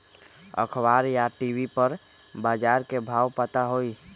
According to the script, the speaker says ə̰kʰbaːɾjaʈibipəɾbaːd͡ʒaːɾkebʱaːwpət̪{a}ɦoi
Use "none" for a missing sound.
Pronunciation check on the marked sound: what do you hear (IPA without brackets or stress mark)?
a